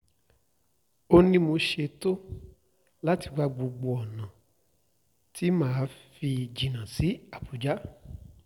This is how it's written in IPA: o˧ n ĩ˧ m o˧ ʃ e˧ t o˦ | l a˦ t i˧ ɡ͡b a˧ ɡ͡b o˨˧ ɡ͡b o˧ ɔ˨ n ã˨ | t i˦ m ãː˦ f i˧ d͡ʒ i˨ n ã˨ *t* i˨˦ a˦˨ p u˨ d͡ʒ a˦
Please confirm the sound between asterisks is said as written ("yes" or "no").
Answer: no